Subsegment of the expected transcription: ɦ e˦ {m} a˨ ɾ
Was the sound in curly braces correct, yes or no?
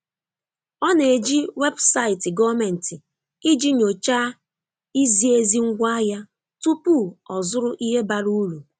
no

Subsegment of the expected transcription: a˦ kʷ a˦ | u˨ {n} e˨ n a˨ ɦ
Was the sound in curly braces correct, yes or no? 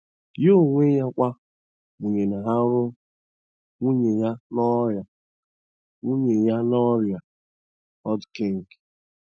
no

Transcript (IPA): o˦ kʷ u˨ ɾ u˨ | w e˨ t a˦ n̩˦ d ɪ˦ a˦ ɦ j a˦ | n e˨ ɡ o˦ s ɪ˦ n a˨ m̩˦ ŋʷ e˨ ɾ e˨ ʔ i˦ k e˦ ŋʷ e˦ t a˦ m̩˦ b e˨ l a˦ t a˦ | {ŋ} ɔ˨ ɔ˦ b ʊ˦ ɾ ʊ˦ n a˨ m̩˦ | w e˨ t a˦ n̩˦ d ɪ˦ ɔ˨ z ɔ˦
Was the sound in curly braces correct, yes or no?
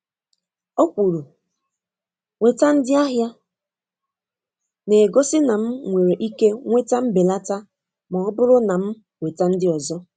no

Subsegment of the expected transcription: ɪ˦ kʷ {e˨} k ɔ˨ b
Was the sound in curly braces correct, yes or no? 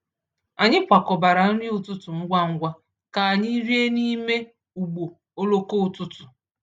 no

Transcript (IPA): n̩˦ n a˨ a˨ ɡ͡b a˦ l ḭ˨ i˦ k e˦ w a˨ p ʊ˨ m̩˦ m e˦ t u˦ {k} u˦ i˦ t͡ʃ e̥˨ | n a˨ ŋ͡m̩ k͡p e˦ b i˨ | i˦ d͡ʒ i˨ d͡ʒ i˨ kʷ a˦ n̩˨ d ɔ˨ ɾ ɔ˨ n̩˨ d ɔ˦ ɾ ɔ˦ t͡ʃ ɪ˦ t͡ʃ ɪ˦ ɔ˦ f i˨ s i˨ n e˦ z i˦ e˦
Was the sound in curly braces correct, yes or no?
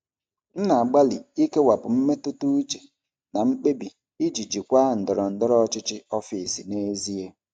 no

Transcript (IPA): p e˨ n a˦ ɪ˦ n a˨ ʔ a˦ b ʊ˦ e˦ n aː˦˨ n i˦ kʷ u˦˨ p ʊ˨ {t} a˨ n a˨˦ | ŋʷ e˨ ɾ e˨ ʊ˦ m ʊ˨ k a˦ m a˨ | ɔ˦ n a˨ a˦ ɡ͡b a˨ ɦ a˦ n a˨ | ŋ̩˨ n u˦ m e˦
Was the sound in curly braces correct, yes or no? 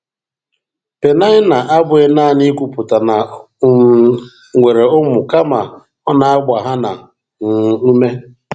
yes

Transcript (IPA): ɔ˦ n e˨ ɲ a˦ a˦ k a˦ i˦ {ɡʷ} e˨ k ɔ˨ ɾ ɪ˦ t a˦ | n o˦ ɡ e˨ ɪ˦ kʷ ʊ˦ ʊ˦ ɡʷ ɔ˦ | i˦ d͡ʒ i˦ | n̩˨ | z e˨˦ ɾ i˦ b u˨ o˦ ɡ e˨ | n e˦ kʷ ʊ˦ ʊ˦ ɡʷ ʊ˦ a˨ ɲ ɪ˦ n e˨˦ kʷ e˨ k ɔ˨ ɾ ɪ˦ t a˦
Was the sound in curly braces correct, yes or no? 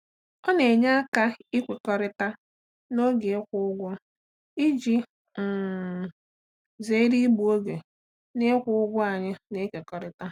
no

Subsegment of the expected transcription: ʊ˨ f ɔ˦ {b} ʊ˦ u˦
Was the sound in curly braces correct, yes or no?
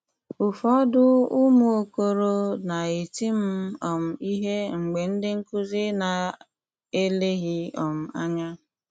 no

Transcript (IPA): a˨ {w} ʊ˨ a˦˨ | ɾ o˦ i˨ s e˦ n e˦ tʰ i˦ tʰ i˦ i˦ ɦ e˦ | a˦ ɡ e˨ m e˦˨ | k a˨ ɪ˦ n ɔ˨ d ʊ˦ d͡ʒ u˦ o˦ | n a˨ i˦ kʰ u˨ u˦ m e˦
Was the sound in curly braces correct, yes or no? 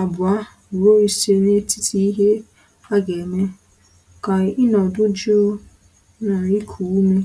no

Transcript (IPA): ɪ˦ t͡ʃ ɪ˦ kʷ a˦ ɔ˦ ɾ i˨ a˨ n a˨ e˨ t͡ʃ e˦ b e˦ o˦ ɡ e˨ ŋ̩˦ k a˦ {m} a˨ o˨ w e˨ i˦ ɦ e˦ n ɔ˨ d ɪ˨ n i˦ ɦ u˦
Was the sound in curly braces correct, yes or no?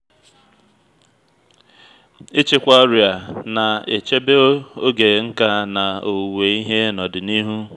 no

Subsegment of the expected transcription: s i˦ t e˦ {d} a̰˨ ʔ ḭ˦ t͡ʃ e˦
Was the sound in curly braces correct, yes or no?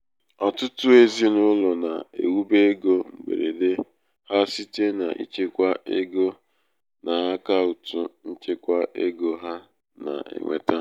no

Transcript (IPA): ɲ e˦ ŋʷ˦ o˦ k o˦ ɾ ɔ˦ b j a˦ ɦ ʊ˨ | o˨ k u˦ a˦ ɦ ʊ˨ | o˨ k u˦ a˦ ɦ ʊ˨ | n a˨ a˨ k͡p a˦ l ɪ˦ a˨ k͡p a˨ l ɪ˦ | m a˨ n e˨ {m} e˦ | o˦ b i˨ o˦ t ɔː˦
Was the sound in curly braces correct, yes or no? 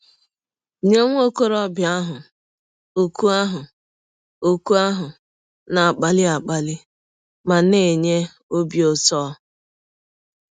no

